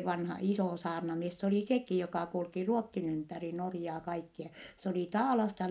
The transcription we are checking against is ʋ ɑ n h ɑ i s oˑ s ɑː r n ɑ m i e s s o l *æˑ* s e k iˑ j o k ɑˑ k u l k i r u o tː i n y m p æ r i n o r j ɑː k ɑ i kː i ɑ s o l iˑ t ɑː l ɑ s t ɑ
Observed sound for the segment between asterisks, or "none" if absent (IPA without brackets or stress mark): iˑ